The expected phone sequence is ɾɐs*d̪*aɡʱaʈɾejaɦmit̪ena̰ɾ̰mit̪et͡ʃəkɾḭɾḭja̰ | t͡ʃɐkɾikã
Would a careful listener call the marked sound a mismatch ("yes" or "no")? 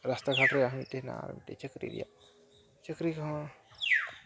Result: yes